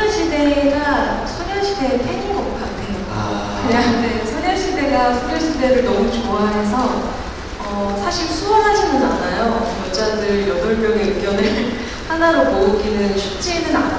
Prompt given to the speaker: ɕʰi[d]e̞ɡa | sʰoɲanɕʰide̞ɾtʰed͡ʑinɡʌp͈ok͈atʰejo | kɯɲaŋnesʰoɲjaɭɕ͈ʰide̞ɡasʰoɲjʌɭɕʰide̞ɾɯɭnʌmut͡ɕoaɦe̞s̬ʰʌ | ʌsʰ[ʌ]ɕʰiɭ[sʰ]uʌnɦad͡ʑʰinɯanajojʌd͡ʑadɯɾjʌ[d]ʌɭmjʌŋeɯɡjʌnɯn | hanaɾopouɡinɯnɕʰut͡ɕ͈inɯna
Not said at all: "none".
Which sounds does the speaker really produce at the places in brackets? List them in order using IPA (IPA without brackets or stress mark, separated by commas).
d, a, sʰ, d